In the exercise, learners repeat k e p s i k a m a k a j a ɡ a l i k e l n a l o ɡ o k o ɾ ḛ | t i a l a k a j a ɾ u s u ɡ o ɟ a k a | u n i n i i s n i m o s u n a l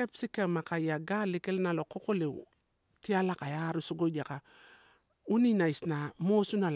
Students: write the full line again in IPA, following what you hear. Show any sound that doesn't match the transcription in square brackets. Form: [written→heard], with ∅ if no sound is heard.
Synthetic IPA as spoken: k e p s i k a m a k a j a ɡ a l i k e l n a l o [ɡ→k] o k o [ɾ→l] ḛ | t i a l a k a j a ɾ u s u ɡ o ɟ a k a | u n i n [i→a] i s n [i→a] m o s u n a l